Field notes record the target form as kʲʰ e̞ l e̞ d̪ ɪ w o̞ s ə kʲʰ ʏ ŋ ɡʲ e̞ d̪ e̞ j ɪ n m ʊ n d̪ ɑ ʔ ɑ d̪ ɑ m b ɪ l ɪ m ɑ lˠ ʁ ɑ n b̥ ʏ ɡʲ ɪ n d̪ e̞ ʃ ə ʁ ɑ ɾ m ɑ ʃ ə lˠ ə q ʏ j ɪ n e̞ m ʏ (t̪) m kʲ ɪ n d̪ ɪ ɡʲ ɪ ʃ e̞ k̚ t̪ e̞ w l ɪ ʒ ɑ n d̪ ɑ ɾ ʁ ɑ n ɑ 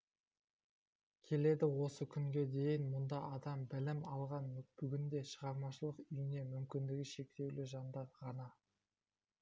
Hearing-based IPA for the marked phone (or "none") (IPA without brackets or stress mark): none